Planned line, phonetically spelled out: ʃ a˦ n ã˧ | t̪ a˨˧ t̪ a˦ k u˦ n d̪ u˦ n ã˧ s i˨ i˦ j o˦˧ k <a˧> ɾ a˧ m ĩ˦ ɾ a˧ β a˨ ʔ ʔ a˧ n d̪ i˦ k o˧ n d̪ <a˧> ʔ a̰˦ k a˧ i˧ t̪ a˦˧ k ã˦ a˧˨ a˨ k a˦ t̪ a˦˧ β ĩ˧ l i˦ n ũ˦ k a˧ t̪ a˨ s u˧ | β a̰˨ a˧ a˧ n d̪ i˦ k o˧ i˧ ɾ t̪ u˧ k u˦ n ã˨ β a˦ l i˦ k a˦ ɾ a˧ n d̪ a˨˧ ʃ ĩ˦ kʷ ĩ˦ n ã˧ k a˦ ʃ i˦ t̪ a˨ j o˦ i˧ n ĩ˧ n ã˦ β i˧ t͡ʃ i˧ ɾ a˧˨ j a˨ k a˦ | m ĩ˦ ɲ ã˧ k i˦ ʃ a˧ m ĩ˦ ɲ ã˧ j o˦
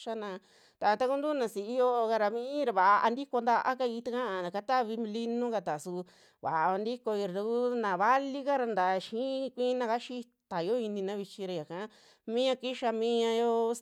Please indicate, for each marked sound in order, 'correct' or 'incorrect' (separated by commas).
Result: correct, correct